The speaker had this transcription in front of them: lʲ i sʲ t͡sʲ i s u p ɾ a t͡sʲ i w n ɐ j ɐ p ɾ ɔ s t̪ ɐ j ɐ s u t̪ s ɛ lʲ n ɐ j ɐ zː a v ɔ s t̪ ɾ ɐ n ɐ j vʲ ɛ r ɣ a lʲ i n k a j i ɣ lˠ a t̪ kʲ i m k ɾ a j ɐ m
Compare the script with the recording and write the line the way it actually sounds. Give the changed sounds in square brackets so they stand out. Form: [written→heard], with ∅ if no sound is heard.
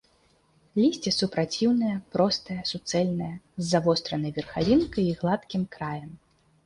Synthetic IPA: lʲ i sʲ t͡sʲ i s u p ɾ a t͡sʲ i w n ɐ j ɐ p ɾ ɔ s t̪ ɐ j ɐ s u t̪ s ɛ lʲ n ɐ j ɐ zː a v ɔ s t̪ ɾ ɐ n ɐ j vʲ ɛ r [ɣ→x] a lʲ i n k [a→ɐ] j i ɣ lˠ a t̪ kʲ i m k ɾ a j ɐ m